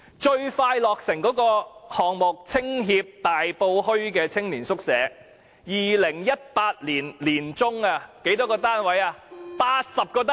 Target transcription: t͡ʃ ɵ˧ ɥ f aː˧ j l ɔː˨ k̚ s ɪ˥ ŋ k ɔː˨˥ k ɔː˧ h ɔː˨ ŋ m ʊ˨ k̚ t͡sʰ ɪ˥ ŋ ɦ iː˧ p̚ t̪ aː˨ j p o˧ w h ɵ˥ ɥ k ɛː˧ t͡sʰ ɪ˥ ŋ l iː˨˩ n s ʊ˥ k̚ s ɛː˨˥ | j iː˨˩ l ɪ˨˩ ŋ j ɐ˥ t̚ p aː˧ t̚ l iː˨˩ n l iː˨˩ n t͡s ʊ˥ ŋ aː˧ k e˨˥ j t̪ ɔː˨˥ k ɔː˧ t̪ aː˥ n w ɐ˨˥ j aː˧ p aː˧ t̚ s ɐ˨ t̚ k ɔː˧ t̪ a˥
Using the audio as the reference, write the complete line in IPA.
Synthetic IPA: t͡ʃ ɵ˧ ɥ f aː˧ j l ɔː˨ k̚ s ɪ˨˩ ŋ k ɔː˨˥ k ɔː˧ h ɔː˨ ŋ m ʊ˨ k̚ t͡sʰ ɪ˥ ŋ ɦ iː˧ p̚ t̪ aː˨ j p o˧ w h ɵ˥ ɥ k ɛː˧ t͡sʰ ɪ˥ ŋ l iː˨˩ n s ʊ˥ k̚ s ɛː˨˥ | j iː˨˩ l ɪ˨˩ ŋ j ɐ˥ t̚ p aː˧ t̚ l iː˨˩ n l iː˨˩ n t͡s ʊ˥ ŋ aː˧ k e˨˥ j t̪ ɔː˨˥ k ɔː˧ t̪ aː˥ n w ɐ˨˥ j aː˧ p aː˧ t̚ s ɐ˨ p̚ k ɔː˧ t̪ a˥